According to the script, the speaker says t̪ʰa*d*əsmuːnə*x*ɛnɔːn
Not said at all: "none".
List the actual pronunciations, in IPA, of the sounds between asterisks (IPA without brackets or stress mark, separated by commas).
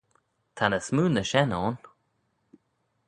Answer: n, ʃ